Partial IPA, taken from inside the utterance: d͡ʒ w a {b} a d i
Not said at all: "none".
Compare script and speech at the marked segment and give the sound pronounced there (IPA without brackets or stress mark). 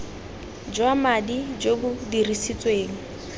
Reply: m